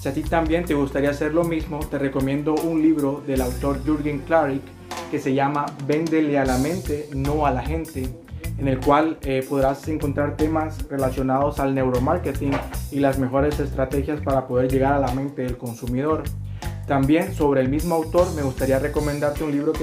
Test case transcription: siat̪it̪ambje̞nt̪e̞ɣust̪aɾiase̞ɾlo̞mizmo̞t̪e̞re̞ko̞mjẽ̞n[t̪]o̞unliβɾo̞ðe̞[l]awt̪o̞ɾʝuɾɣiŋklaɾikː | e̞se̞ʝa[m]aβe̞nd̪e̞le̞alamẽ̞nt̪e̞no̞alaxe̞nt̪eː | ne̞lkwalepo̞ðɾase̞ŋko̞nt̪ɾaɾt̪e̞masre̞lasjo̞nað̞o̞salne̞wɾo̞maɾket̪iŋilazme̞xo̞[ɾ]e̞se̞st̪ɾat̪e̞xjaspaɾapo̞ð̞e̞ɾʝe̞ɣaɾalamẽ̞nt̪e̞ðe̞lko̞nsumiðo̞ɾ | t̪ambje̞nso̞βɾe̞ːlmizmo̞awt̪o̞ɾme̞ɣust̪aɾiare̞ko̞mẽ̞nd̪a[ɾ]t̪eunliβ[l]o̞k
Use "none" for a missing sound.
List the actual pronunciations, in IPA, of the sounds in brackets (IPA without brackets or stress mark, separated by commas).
d̪, l, m, ɾ, ɾ, ɾ